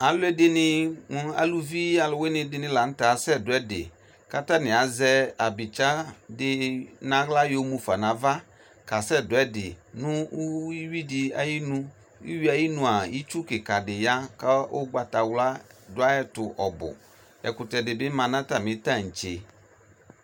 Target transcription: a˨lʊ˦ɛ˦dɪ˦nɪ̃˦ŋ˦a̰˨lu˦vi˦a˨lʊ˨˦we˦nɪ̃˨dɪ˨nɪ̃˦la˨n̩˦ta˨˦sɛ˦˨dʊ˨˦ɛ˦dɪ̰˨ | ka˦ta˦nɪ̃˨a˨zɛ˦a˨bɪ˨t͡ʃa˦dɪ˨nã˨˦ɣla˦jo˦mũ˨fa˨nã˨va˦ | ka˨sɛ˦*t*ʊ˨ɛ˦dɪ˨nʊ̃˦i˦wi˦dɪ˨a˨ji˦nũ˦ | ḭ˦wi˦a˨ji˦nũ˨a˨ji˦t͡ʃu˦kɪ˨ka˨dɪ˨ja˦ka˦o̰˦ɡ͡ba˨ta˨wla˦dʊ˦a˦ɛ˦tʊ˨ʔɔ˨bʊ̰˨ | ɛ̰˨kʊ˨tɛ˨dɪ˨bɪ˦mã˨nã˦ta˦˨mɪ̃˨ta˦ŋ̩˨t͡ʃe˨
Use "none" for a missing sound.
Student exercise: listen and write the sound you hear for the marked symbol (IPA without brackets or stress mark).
d